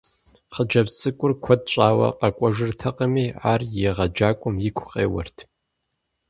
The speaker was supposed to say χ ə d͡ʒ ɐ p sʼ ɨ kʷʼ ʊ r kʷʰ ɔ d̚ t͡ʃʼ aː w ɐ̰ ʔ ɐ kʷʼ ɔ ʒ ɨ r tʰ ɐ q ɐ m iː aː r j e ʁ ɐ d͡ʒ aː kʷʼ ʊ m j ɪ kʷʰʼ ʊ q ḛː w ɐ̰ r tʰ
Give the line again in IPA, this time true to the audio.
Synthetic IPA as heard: χ ə d͡ʒ ɐ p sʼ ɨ kʷʼ ʊ r kʷʰ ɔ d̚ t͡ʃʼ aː w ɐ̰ q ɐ kʷʼ ɔ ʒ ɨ r tʰ ɐ q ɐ m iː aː r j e ʁ ɐ d͡ʒ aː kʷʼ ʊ m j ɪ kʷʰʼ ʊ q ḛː w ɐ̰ r tʰ